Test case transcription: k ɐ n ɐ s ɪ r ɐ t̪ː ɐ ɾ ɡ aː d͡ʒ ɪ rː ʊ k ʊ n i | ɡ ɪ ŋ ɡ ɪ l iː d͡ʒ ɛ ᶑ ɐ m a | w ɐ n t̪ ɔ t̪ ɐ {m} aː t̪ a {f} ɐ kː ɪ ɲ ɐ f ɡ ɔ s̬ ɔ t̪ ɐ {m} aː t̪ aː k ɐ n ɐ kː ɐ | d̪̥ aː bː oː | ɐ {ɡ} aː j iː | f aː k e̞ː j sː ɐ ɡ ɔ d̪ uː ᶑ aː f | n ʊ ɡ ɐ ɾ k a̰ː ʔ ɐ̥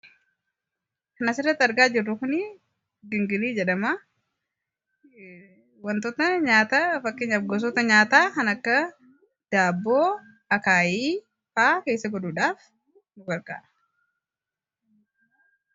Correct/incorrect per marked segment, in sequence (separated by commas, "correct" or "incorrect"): incorrect, correct, incorrect, incorrect